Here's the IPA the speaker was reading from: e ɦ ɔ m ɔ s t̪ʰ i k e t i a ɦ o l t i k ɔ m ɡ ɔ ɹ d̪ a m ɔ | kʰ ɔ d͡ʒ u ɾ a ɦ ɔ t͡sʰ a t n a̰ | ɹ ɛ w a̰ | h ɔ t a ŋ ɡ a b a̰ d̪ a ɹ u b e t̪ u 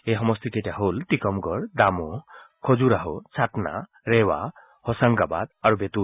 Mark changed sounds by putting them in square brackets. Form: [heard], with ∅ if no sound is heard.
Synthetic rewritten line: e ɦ ɔ m ɔ s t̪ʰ i k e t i a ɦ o l t i k ɔ m ɡ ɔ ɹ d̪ a m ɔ | kʰ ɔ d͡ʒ u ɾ a ɦ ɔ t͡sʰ a t n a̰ | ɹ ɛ w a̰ | h ɔ [s] a ŋ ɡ a b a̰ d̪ a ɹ u b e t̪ u